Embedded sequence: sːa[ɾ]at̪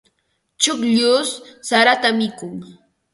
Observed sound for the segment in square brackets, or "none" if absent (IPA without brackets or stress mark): ɾ